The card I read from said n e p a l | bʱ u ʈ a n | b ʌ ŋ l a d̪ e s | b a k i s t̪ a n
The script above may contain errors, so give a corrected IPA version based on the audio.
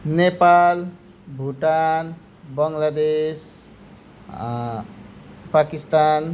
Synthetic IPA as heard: n e p a l | bʱ u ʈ a n | b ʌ ŋ l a d̪ e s | p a k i s t̪ a n